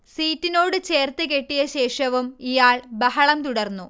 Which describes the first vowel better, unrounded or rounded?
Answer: unrounded